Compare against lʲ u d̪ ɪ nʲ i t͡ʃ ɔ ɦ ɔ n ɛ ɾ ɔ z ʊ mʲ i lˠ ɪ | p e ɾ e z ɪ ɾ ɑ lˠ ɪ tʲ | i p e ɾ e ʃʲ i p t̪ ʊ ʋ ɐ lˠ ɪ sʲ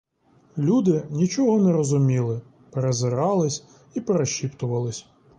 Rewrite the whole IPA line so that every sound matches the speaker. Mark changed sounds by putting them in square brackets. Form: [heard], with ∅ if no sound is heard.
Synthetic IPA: lʲ u d̪ ɪ nʲ i t͡ʃ ɔ ɦ ɔ n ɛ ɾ ɔ z ʊ mʲ i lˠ ɪ | p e ɾ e z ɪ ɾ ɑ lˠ ɪ [sʲ] | i p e ɾ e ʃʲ i p t̪ ʊ ʋ ɐ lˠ ɪ sʲ